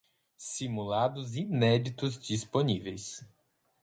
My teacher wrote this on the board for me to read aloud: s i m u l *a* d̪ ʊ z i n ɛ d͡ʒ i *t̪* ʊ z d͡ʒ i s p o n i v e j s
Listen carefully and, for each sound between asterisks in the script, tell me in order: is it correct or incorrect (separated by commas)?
correct, correct